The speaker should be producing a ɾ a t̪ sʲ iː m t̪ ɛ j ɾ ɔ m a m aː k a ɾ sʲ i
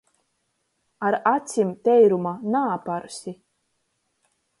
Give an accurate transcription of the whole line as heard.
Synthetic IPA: a ɾ a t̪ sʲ i m t̪ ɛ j ɾ u m a n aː p a ɾ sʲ i

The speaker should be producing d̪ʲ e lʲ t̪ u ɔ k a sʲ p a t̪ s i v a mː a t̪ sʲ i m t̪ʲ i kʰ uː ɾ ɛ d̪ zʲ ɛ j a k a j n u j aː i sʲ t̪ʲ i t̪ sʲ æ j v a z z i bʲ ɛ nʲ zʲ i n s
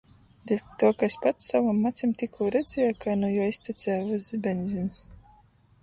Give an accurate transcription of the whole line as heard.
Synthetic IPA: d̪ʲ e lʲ t̪ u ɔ k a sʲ p a t̪ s a v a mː a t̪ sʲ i m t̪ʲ i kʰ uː ɾ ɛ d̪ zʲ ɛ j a k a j n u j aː i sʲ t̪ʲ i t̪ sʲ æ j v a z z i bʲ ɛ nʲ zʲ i n s

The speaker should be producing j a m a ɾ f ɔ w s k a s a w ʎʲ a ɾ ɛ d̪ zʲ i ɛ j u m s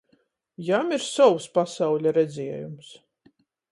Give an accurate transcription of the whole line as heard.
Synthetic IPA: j a m i ɾ s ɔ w s p a s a w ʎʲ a ɾ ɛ d̪ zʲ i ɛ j u m s

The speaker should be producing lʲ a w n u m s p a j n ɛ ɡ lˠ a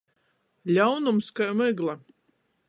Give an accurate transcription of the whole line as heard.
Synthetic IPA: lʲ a w n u m s k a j m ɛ ɡ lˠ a

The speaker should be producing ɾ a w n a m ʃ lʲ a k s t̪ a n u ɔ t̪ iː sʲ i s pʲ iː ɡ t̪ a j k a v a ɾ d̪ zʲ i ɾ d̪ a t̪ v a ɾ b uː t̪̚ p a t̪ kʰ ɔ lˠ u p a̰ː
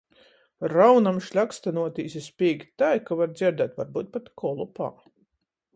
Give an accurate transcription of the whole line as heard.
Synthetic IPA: ɾ a w n a m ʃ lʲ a k s t̪ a n u ɔ t̪ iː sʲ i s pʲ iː ɡ t̪ a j k a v a ɾ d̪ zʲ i ɾ d̪ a t̪ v a ɾ b uː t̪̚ p a t̪ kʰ ɔ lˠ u p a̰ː

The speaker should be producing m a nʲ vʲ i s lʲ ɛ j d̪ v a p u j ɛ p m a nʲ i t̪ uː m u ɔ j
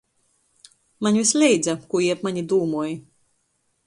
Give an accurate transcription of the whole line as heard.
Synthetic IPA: m a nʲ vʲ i s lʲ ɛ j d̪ z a k u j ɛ p m a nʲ i d̪ uː m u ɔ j

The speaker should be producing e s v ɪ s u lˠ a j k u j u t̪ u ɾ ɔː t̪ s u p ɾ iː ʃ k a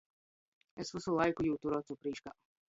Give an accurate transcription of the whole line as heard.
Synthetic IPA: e s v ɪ s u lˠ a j k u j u t̪ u ɾ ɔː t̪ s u p ɾ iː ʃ k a

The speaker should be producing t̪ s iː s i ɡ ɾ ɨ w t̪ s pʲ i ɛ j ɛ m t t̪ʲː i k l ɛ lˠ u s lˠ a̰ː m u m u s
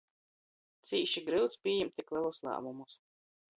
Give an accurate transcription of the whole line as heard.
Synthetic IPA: t̪ s iː ʃ i ɡ ɾ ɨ w t̪ s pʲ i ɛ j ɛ m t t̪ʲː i k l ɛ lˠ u s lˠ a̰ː m u m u s

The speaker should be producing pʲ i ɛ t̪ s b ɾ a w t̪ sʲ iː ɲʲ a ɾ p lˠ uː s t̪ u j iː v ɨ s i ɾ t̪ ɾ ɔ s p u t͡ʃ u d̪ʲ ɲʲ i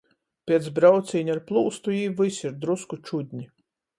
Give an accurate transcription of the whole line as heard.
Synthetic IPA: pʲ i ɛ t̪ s b ɾ a w t̪ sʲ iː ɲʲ a ɾ p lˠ uː s t̪ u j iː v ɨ s i ɾ d̪ ɾ u s k u t͡ʃ u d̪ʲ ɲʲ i

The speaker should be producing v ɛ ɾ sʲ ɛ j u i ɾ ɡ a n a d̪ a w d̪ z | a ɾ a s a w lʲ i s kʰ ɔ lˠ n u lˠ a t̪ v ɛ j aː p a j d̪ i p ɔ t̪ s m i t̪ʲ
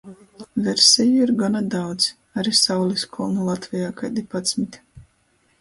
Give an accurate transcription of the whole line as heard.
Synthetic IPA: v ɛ ɾ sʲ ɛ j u i ɾ ɡ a n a d̪ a w d̪ z | a ɾ i s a w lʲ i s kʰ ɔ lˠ n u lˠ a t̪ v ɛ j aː k a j d̪ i p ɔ t̪ s m i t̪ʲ

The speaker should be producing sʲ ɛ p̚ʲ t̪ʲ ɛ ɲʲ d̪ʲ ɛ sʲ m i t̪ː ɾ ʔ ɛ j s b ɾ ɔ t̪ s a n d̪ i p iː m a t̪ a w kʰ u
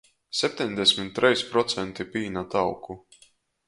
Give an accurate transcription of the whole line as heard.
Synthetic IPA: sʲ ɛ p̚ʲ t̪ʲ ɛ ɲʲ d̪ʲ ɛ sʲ m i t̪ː ɾ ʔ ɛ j s p ɾ ɔ t̪ s ɛ n t̪ i p iː n a t̪ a w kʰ u

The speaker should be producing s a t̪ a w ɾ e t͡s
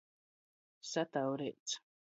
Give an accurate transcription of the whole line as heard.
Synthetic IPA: s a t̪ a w ɾ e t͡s

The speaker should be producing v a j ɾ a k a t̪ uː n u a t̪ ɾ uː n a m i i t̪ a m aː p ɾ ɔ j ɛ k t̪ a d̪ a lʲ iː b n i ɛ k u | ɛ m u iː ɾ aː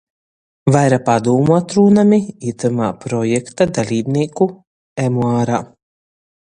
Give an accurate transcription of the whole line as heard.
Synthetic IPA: v a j ɾ a p a d̪ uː m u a t̪ ɾ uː n a m i i t̪ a m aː p ɾ ɔ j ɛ k t̪ a d̪ a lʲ iː b n i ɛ k u | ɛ m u aː ɾ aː

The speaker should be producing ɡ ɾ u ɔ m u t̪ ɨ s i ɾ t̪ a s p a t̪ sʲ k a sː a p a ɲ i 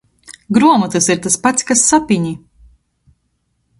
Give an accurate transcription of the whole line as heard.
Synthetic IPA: ɡ ɾ u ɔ m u t̪ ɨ s i ɾ t̪ a s p a t̪ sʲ k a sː a p i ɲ i

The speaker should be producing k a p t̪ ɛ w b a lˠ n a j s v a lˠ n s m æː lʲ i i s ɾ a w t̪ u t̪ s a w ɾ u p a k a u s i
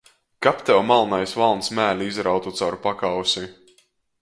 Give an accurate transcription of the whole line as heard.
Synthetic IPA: k a p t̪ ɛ w m a lˠ n a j s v a lˠ n s m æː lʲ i i z ɾ a w t̪ u t̪ s a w ɾ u p a k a w s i

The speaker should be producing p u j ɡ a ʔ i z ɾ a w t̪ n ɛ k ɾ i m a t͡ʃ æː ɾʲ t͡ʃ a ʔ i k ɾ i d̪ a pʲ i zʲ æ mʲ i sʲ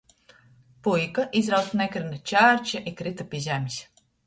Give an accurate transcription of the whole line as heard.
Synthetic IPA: p u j k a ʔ i z ɾ a w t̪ n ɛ k ɾ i n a t͡ʃ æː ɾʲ t͡ʃ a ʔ i k ɾ i t̪ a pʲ i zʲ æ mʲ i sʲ

